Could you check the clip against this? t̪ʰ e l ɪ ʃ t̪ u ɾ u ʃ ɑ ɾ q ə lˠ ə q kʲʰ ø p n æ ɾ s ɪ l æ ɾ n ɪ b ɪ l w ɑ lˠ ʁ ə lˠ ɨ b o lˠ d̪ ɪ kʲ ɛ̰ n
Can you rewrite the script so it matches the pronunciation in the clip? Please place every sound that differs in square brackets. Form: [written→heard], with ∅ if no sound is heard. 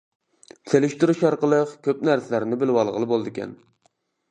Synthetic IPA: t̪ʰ e l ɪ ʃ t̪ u ɾ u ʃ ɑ ɾ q ə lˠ ə q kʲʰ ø p n æ ɾ s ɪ l æ ɾ n ɪ b ɪ l w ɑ lˠ ʁ ə lˠ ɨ b o lˠ d̪ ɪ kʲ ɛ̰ n